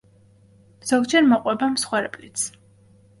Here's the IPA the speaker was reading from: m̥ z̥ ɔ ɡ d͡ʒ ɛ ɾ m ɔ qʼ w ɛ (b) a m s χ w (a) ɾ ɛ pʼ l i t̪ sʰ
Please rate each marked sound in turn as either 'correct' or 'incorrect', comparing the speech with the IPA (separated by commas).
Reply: correct, incorrect